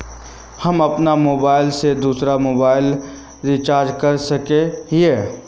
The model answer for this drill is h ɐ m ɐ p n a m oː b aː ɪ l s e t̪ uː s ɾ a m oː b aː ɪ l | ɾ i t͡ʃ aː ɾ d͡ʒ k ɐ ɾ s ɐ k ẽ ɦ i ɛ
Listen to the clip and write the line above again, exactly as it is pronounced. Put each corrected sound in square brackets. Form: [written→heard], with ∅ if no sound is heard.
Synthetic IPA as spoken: h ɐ m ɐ p n a m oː b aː ɪ l s e [t̪→d̪] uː s ɾ a m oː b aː ɪ l | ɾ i t͡ʃ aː ɾ d͡ʒ k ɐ ɾ s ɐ k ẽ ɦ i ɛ